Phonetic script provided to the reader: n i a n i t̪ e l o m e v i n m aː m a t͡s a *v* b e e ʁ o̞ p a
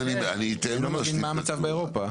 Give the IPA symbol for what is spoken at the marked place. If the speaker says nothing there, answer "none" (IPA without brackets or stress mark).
v